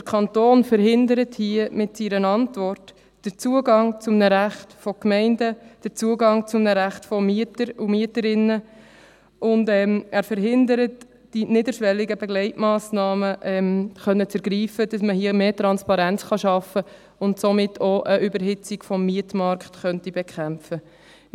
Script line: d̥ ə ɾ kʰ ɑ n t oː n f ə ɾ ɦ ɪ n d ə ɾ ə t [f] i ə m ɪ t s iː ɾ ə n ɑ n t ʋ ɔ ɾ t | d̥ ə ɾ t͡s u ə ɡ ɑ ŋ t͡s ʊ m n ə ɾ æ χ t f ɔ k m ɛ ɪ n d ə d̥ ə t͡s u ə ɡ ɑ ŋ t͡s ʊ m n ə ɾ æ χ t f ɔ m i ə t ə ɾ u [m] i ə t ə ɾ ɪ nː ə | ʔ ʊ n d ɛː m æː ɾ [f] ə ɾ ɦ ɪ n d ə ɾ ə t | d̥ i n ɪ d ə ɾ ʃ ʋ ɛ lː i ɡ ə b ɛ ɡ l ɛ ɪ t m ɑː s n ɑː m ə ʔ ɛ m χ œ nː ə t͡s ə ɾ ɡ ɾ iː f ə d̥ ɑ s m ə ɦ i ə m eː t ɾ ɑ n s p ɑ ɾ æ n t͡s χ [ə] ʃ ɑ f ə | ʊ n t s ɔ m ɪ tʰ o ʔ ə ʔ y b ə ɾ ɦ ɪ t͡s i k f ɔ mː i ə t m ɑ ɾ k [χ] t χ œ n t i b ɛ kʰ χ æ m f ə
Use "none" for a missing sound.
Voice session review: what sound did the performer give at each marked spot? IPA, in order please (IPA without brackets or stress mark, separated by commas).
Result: h, m, f, ɑ, χ